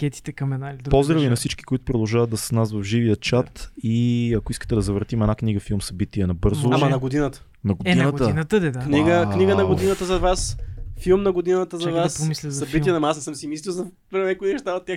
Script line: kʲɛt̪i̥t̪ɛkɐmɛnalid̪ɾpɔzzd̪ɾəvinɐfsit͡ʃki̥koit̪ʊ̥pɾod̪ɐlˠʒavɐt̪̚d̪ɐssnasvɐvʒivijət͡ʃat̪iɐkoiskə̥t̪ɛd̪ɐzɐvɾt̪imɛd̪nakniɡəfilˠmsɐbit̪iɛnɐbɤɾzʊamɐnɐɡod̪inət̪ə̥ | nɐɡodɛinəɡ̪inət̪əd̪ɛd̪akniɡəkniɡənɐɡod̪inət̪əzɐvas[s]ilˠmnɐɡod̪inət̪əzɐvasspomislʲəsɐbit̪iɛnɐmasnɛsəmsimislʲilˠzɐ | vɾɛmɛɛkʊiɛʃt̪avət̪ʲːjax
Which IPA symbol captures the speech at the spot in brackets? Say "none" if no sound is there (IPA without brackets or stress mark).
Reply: f